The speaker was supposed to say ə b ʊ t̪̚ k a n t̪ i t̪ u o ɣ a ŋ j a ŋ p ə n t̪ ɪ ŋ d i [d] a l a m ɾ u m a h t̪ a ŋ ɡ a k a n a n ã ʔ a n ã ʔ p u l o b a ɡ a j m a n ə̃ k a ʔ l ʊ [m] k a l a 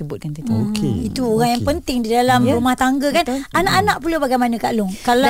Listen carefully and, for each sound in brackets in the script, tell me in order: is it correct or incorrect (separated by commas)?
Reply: correct, incorrect